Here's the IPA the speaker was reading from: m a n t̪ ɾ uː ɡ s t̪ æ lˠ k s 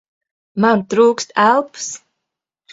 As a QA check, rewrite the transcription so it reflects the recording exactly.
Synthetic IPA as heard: m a n t̪ ɾ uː k s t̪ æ lˠ p s